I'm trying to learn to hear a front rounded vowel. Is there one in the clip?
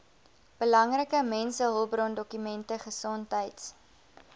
yes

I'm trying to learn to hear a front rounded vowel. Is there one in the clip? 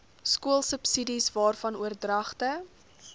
no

